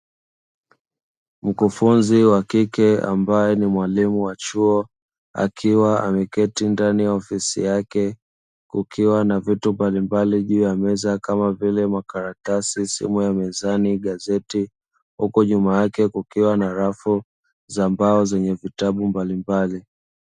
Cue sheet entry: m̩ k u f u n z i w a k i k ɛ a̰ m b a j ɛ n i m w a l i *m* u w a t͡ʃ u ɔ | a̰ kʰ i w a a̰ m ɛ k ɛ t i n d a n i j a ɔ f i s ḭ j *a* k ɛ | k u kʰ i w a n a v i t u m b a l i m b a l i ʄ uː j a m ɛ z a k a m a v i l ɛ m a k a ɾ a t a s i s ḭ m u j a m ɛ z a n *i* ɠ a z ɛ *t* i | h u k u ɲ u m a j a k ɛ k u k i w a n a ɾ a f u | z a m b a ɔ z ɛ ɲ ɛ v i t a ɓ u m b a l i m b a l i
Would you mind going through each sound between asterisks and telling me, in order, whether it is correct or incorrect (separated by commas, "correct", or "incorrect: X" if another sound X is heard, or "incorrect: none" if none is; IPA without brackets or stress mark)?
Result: correct, correct, correct, correct